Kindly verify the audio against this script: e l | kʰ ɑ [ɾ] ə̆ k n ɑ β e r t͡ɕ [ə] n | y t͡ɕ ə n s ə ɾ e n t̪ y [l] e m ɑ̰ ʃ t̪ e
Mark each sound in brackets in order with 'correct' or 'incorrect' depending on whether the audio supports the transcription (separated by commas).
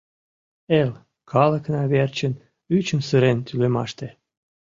incorrect, correct, correct